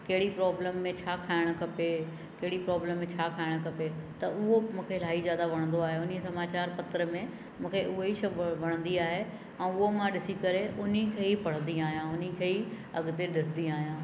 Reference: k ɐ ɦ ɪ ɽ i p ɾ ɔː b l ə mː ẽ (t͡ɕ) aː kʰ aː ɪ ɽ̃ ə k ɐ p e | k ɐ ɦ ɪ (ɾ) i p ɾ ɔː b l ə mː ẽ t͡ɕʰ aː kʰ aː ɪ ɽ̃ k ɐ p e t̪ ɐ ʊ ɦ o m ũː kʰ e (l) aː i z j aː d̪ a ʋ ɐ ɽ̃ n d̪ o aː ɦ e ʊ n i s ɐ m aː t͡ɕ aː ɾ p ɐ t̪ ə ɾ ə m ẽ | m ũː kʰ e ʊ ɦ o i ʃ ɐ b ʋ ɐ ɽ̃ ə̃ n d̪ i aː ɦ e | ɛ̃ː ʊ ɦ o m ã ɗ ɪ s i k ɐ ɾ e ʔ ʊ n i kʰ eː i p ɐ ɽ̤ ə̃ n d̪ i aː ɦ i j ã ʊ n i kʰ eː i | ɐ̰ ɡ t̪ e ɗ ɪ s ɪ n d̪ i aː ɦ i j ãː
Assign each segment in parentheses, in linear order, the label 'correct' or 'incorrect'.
incorrect, incorrect, correct

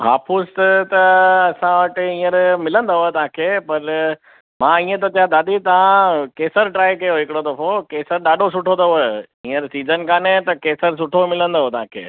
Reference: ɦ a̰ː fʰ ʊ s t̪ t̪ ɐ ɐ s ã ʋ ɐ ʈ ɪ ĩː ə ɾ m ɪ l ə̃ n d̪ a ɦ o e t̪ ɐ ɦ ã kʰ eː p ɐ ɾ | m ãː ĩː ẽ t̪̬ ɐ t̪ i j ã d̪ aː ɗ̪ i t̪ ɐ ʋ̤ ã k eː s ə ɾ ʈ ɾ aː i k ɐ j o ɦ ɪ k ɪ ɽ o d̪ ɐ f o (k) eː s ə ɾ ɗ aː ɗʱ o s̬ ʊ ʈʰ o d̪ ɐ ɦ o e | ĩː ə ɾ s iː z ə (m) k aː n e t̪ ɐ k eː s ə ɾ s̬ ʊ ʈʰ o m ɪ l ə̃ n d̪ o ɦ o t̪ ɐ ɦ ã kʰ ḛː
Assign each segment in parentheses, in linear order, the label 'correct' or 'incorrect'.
correct, incorrect

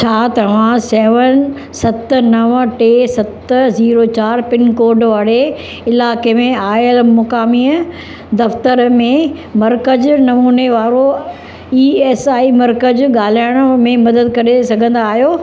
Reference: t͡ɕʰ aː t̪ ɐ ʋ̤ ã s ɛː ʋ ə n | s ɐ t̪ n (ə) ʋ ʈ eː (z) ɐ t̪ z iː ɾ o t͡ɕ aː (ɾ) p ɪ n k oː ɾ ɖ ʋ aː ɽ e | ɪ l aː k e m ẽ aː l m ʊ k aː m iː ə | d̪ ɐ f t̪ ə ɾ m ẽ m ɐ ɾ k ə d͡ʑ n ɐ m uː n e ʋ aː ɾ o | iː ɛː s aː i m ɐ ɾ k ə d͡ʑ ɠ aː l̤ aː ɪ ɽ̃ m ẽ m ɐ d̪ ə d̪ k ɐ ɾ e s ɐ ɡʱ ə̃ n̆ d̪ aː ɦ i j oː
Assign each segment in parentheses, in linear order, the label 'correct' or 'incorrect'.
incorrect, incorrect, correct

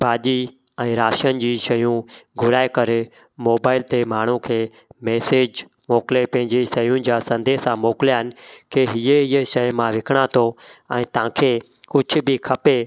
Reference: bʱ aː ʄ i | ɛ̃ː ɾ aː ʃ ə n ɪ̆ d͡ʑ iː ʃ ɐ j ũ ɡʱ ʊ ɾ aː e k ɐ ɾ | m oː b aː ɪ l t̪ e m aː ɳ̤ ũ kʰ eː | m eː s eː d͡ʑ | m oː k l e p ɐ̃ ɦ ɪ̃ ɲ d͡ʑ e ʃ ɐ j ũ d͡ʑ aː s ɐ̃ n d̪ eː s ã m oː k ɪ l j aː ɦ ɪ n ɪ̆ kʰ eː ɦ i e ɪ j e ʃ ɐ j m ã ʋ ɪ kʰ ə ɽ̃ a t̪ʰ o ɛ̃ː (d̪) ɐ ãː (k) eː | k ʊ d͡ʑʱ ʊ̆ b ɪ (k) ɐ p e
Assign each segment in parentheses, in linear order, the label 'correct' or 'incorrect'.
incorrect, incorrect, incorrect

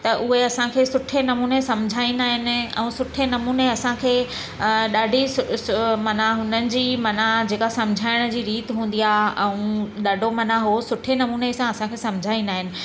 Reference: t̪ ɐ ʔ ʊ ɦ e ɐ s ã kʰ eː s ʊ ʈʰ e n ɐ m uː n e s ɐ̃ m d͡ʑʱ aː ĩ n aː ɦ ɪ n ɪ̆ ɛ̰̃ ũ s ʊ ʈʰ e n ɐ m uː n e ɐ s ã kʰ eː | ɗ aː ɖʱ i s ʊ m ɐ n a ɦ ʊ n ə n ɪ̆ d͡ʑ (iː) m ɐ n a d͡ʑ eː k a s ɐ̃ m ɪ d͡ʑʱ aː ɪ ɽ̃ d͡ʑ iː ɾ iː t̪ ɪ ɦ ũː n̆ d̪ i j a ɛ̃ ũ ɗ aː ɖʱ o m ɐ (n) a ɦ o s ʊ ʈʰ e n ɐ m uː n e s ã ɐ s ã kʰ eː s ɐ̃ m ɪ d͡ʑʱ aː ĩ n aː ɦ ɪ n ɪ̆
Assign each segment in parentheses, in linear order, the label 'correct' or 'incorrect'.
correct, correct

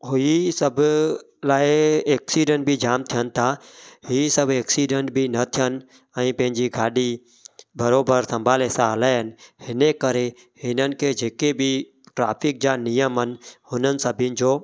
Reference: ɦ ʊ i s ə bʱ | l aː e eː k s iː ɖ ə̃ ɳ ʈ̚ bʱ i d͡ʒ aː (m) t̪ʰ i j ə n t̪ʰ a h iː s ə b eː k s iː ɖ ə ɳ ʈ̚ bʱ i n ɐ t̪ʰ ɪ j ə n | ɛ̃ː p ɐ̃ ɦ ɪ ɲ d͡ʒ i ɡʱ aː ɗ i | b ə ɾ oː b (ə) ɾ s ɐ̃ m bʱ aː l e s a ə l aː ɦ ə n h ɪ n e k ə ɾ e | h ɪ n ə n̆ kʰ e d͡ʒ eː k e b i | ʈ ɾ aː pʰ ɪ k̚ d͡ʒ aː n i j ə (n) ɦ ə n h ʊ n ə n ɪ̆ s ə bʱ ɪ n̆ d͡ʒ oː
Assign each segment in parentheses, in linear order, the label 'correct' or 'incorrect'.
correct, correct, incorrect

